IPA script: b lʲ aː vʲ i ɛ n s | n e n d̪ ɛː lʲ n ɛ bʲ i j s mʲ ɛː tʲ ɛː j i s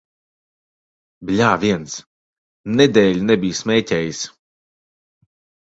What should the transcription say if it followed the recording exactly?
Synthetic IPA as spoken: b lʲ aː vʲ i ɛ n s | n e d̪ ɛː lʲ n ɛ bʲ i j s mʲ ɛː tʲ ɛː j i s